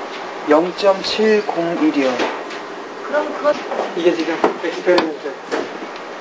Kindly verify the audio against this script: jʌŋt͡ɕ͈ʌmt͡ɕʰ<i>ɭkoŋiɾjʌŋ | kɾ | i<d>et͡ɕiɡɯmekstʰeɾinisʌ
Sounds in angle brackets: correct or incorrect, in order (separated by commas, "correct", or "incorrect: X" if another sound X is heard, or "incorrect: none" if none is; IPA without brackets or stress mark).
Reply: correct, incorrect: ɡ